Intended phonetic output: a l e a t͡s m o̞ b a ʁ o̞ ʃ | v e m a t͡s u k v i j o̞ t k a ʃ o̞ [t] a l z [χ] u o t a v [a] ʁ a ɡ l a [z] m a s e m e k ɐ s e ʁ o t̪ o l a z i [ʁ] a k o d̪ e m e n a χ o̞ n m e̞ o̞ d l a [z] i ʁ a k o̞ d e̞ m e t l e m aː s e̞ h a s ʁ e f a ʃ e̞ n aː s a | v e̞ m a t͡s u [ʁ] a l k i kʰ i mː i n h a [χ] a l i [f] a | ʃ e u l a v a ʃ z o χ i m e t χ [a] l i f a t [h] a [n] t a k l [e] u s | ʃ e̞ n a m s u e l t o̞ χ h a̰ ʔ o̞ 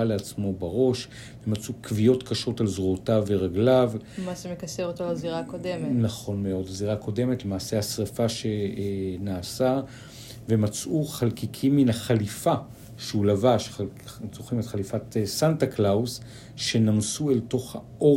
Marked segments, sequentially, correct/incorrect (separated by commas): correct, incorrect, incorrect, incorrect, correct, correct, incorrect, correct, correct, correct, incorrect, correct, incorrect